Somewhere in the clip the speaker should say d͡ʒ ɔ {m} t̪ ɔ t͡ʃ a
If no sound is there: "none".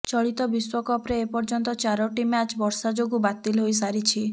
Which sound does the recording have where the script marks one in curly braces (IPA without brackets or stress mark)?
n